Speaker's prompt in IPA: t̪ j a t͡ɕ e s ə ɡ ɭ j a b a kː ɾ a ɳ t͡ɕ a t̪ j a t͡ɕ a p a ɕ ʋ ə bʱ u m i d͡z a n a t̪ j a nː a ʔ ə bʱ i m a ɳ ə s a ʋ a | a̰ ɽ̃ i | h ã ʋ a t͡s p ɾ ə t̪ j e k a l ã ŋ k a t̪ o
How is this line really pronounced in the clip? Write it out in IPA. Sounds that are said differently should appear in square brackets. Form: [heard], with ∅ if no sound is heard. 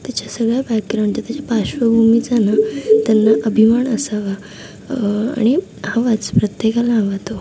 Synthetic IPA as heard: t̪ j a t͡ɕ [a] s ə ɡ ɭ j a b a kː ɾ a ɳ t͡ɕ a t̪ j a t͡ɕ a p a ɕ ʋ ə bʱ u m i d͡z a n a t̪ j a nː a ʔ ə bʱ i m a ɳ ə s a ʋ a | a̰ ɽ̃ i | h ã ʋ a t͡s p ɾ ə t̪ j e k a l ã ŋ [ɡ] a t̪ o